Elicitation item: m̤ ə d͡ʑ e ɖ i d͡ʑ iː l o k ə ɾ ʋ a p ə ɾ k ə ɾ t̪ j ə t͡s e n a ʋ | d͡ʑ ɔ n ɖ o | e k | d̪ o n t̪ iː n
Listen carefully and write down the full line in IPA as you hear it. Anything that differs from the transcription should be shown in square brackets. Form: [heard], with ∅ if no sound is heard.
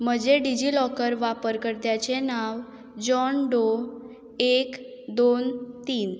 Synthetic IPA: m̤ ə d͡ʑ e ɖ i d͡ʑ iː l [ɔ] k ə ɾ ʋ a p ə ɾ k ə ɾ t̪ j [a] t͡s e n a ʋ | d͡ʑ ɔ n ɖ o | e k | d̪ o n t̪ iː n